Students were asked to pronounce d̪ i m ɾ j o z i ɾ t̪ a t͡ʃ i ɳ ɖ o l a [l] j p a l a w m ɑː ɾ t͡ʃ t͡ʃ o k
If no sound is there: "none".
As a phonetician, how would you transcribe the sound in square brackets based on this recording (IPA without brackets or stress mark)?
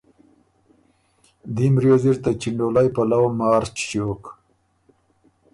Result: none